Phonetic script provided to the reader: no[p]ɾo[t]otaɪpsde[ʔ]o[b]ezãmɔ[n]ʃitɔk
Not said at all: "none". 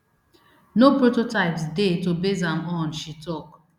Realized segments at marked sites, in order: p, t, t, b, n

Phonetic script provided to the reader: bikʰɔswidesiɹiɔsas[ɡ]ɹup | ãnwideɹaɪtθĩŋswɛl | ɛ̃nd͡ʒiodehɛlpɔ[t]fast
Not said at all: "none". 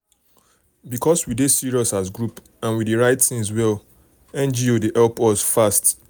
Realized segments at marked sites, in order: ɡ, s

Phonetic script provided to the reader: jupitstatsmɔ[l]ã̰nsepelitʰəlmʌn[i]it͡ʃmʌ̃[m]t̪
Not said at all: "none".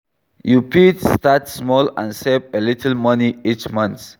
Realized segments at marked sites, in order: l, i, n

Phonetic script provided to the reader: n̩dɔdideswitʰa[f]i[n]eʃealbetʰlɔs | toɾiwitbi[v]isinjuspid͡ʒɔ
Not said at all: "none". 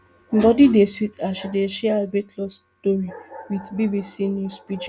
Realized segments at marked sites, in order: ʃ, d, b

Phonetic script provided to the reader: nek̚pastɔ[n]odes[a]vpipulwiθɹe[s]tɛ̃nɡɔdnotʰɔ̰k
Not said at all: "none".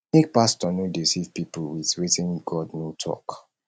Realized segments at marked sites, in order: n, i, none

